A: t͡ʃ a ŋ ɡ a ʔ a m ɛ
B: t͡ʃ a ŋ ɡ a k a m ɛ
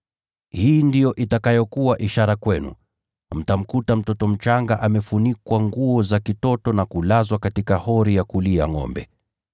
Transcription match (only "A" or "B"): A